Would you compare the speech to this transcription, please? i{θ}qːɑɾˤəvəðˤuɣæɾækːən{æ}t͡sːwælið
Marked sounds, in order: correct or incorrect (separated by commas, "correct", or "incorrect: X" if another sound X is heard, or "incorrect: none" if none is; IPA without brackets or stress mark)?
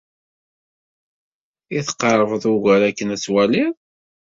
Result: correct, correct